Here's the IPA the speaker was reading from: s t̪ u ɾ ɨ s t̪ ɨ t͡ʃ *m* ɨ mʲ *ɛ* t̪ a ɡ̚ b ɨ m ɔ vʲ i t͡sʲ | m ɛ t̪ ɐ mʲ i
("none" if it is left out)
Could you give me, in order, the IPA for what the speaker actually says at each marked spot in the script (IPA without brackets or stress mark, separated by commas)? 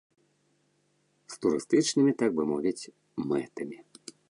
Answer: n, i